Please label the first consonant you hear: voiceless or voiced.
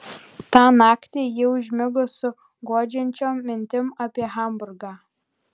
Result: voiceless